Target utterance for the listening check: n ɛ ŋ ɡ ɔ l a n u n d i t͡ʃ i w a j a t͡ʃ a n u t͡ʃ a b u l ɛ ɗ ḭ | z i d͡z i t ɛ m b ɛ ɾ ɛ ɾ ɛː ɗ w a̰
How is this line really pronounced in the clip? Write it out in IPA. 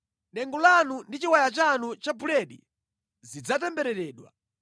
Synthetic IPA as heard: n ɛ ŋ ɡ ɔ l a n u n d i t͡ʃ i w a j a t͡ʃ a n u t͡ʃ a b u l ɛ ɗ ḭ | z i d͡z a t ɛ m b ɛ ɾ ɛ ɾ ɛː ɗ w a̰

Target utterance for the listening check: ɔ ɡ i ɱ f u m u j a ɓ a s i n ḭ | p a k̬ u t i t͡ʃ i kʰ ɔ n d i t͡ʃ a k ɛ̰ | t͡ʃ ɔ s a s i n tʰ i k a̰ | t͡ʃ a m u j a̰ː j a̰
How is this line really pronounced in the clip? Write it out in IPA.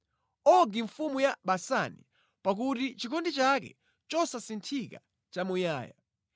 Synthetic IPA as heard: ɔ ɡ i ɱ f u m u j a ɓ a s a n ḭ | p a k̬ u t i t͡ʃ i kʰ ɔ n d i t͡ʃ a k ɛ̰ | t͡ʃ ɔ s a s i n tʰ i k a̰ | t͡ʃ a m u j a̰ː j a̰

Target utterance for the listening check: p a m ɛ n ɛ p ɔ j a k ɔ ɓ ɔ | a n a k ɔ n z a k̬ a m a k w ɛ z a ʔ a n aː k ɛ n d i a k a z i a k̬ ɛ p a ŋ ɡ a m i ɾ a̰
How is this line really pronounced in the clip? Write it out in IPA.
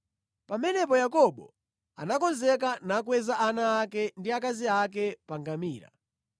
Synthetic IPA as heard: p a m ɛ n ɛ p ɔ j a k ɔ ɓ ɔ | a n a k ɔ n z ɛ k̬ a n a k w ɛ z a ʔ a n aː k ɛ n d i a k a z i a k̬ ɛ p a ŋ ɡ a m iː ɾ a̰

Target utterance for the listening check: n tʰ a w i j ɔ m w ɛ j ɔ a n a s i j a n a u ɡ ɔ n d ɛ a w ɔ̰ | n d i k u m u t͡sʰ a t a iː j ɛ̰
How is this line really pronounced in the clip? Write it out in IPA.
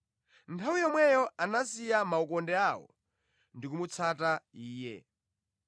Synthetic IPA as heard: n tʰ a w i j ɔ m w ɛ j ɔ a n a s i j a m a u k ɔ n d ɛ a w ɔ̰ | n d i k u m u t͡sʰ a t a iː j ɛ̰

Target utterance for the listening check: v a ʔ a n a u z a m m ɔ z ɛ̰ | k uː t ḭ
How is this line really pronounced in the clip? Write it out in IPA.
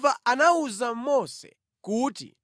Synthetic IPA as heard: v a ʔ a n a u z a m m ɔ s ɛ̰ | k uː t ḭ

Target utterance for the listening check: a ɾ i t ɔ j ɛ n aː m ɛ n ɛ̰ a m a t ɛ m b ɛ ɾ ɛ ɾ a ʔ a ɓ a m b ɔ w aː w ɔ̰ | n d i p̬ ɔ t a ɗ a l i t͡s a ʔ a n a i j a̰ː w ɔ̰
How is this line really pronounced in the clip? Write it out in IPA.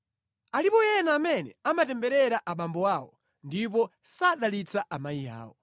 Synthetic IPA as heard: a l i p ɔ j ɛ n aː m ɛ n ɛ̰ a m a t ɛ m b ɛ ɾ ɛ ɾ a ʔ a ɓ a m b ɔ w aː w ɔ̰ | n d i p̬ ɔ s a ɗ a l i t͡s a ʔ a m a i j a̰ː w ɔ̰

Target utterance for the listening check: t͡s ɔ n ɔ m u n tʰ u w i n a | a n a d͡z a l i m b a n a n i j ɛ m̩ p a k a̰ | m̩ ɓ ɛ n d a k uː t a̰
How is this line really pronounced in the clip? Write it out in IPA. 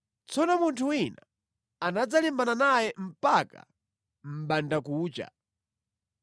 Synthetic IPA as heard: t͡s ɔ n ɔ m u n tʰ u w i n a | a n a d͡z a l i m b a n a n a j ɛ m̩ p a k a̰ | m̩ ɓ a n d a k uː t͡ʃ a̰

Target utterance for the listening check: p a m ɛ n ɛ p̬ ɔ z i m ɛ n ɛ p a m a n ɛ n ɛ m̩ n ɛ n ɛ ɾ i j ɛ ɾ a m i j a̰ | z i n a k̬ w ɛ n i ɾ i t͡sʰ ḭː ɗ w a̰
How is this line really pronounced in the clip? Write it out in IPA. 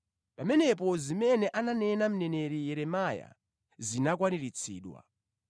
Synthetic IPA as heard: p a m ɛ n ɛ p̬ ɔ z i m ɛ n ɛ ʔ a n a n ɛ n a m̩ n ɛ n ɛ ɾ i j ɛ ɾ ɛ m a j a̰ | z i n a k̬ w a n i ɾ i t͡sʰ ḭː ɗ w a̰

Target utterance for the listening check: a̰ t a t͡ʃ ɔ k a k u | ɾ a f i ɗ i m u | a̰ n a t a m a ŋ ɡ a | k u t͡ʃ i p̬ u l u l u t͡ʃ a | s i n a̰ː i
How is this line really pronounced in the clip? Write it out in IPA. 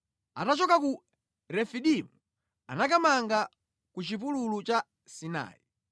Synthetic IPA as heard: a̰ t a t͡ʃ ɔ k a k u | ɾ ɛ f i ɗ i m u | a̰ n a k a m a ŋ ɡ a | k u t͡ʃ i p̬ u l u l u t͡ʃ a | s i n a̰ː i

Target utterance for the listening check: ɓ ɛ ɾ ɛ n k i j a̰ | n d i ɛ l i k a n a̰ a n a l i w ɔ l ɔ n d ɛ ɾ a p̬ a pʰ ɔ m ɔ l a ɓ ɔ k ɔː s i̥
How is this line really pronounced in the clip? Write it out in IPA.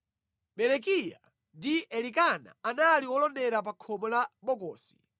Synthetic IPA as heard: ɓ ɛ ɾ ɛ k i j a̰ | n d i ɛ l i k a n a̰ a n a l i w ɔ l ɔ n d ɛ ɾ a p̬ a kʰ ɔ m ɔ l a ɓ ɔ k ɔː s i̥

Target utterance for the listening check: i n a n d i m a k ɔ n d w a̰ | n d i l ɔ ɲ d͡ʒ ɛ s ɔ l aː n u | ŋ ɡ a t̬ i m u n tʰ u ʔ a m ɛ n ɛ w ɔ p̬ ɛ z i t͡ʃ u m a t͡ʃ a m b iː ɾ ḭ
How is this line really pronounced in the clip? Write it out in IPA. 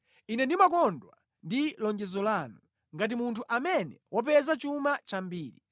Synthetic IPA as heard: i n ɛ n d i m a k ɔ n d w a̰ | n d i l ɔ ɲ d͡ʒ ɛ z ɔ l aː n u | ŋ ɡ a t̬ i m u n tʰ u ʔ a m ɛ n ɛ w ɔ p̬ ɛ z a t͡ʃ u m a t͡ʃ a m b iː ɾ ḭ

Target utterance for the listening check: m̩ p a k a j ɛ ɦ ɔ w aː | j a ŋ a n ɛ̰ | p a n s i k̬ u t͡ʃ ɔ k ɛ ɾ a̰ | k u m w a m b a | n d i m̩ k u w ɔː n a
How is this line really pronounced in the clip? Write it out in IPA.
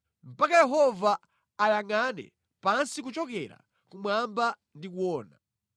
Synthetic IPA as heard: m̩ p a k a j ɛ ɦ ɔ v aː | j a ŋ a n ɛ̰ | p a n s i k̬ u t͡ʃ ɔ k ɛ ɾ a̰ | k u m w a m b a | n d i k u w ɔː n a

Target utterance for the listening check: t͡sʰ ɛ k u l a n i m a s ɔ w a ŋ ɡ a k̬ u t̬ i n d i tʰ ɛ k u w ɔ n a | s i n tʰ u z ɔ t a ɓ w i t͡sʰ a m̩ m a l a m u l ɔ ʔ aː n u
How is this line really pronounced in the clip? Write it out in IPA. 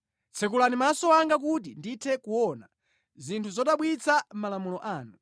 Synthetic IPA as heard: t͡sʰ ɛ k u l a n i m a s ɔ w a ŋ ɡ a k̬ u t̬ i n d i tʰ ɛ k u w ɔ n a | z i n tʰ u z ɔ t a ɓ w i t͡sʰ a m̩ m a l a m u l ɔ ʔ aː n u

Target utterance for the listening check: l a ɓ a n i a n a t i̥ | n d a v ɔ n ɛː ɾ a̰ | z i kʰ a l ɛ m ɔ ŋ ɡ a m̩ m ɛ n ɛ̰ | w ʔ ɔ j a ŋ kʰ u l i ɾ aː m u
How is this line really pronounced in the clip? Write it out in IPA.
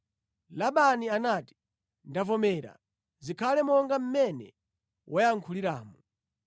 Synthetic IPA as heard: l a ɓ a n i a n a t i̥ | n d a v ɔ m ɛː ɾ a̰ | z i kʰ a l ɛ m ɔ ŋ ɡ a m̩ m ɛ n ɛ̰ | w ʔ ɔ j a ŋ kʰ u l i ɾ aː m u

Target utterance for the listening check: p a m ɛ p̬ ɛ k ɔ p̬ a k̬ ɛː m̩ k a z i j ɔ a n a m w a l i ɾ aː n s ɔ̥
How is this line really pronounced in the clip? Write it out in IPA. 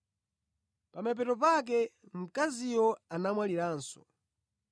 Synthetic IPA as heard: p a m ɛ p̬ ɛ t ɔ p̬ a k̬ ɛ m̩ k a z i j ɔ a n a m w a l i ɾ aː n s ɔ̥

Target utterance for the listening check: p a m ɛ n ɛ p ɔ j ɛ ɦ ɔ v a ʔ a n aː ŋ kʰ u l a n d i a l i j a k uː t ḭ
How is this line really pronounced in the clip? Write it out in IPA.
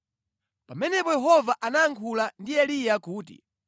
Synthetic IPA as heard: p a m ɛ n ɛ p ɔ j ɛ ɦ ɔ v a ʔ a n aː ŋ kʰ u l a n d i ɛ l i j a k uː t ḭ

